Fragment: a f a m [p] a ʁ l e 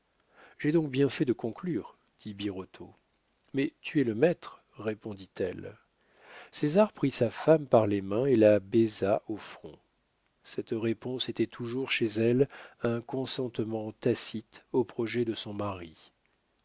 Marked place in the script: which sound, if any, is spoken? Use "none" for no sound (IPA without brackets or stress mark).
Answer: p